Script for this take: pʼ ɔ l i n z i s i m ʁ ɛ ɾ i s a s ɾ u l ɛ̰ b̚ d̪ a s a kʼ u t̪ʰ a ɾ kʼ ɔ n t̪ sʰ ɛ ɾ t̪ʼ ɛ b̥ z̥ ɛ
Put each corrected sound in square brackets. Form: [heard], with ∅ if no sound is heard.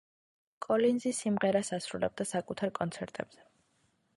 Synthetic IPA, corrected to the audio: [kʼ] ɔ l i n z i s i m ʁ ɛ ɾ [a] s a s ɾ u l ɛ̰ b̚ d̪ a s a kʼ u t̪ʰ a ɾ kʼ ɔ n t̪ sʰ ɛ ɾ t̪ʼ ɛ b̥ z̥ ɛ